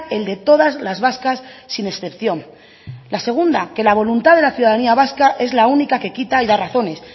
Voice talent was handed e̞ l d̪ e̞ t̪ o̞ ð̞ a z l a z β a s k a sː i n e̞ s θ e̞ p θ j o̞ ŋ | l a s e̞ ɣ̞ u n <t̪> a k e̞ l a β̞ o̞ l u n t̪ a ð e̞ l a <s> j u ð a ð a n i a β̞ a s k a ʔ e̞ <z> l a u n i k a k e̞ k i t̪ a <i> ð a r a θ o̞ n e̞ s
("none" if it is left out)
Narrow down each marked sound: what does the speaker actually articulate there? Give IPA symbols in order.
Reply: d̪, θ, z, i

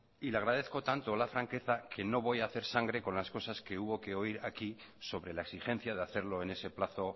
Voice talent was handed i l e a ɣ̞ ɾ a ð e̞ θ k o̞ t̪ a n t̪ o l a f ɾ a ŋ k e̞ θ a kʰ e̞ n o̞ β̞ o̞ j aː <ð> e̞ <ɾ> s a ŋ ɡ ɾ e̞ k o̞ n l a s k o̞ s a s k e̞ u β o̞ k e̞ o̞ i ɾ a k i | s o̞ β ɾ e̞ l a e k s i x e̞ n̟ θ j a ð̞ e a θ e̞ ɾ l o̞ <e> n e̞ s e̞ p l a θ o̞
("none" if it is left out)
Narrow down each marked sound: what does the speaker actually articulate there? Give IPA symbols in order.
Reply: θ, ɾ, e

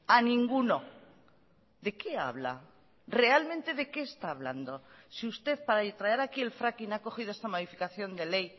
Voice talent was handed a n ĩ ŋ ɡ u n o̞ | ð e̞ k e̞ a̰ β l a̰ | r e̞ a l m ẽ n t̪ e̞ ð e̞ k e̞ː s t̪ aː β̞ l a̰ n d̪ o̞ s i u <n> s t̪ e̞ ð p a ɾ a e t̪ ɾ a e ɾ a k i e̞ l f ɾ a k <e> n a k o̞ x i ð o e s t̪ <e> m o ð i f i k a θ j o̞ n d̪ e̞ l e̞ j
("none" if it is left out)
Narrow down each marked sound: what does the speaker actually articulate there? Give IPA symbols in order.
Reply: none, i, a

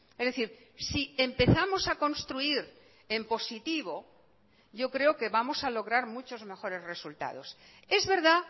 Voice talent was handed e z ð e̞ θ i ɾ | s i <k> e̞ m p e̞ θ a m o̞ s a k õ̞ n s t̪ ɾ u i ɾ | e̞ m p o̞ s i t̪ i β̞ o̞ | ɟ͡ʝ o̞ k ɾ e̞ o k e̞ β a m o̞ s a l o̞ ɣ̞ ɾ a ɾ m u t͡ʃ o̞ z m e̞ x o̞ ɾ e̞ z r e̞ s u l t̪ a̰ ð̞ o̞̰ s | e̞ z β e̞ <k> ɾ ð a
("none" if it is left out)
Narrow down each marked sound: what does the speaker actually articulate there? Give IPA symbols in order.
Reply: none, none

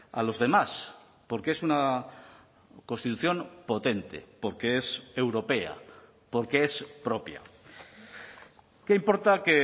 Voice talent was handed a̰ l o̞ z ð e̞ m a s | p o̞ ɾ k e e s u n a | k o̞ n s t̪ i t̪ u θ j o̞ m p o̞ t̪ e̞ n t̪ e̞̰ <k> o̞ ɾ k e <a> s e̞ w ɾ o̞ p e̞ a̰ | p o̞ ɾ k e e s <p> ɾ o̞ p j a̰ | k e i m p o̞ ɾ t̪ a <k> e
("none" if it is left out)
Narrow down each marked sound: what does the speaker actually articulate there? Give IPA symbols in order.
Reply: p, e, p, k

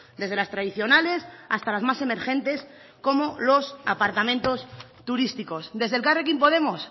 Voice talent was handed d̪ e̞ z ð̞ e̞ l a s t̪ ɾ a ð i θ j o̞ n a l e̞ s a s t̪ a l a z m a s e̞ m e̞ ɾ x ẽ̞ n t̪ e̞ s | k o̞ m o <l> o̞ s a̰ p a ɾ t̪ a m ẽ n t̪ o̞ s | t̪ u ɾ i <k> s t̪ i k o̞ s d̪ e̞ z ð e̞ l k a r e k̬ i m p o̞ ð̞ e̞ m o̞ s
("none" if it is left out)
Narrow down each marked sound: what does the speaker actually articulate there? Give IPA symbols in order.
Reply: l, none

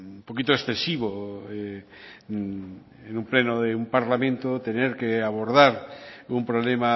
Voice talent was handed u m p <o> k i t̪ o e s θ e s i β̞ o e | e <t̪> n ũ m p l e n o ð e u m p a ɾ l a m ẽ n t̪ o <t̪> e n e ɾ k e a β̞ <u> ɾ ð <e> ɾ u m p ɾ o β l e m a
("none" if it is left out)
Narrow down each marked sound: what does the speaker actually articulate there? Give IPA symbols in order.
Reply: o, none, t̪, o, a

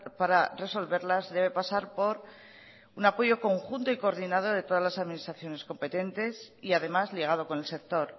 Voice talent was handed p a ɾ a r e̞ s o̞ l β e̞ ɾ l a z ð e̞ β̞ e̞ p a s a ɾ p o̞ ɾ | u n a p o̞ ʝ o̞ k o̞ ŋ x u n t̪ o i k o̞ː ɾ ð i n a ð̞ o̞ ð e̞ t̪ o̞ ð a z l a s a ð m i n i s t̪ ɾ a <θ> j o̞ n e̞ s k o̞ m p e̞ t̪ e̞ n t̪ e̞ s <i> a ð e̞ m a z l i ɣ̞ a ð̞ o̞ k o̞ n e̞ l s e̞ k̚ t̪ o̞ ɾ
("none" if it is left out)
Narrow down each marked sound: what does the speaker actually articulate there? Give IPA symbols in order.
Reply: θ, i

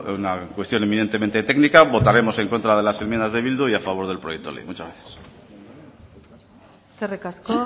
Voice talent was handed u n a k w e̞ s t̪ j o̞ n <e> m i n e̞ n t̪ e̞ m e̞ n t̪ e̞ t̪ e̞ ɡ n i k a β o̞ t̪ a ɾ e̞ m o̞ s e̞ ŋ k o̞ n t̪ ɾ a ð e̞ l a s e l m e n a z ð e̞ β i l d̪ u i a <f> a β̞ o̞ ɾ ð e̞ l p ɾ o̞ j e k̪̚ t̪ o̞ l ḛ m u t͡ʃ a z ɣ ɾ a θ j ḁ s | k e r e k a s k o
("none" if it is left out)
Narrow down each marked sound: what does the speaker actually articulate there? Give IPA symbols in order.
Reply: e, f

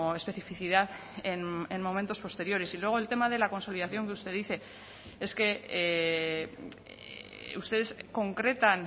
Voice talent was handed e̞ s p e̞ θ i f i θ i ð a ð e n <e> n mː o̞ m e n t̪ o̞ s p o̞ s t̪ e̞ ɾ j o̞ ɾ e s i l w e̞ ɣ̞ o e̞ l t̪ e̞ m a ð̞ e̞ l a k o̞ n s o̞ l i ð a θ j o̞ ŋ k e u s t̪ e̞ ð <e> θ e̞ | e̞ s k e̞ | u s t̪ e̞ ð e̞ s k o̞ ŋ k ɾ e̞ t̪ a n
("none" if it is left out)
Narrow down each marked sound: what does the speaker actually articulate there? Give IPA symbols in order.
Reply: e, i

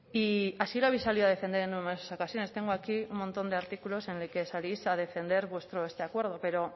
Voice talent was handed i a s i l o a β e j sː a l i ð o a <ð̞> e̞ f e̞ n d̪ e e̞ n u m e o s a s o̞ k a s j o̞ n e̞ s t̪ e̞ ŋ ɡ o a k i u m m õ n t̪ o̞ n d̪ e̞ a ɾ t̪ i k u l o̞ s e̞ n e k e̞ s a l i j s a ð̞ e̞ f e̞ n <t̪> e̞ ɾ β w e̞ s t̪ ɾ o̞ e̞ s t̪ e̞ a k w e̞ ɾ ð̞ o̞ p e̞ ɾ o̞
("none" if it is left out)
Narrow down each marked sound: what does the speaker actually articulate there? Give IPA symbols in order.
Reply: ð̞, d̪

